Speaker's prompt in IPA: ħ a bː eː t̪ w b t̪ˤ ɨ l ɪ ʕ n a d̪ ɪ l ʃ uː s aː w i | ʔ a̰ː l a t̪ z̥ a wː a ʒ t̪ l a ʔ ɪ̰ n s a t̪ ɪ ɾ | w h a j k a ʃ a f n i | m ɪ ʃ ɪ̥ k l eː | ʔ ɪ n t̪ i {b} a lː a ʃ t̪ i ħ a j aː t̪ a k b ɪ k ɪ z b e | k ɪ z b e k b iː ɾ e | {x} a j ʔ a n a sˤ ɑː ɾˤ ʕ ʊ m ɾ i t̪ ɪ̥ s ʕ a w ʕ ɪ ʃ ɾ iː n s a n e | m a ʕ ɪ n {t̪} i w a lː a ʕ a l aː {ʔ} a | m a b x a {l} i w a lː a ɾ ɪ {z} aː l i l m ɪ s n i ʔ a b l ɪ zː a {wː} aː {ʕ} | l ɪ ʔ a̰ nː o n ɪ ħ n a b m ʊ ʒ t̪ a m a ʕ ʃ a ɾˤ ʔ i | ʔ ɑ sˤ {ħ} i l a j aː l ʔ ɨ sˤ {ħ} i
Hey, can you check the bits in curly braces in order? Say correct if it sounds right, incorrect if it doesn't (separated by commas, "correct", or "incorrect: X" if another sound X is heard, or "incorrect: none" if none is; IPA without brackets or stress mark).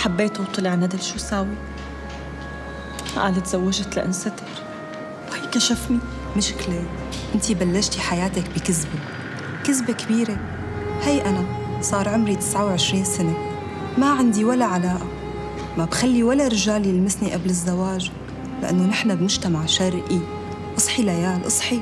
correct, incorrect: h, incorrect: d̪, correct, incorrect: lː, incorrect: ʒ, incorrect: w, incorrect: ʒ, correct, correct